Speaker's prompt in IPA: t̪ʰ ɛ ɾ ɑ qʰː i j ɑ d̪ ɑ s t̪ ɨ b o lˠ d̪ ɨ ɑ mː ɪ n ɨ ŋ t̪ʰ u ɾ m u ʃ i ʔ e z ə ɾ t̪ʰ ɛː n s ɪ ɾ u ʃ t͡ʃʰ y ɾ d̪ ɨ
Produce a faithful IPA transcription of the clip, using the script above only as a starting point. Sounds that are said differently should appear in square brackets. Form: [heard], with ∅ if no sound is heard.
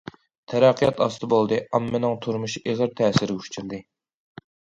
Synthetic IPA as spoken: t̪ʰ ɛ ɾ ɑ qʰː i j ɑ [t̪] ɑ s t̪ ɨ b o lˠ d̪ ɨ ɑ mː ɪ n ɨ ŋ t̪ʰ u ɾ m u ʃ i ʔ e [ʁ] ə ɾ t̪ʰ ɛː [∅] s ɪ ɾ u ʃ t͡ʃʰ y ɾ d̪ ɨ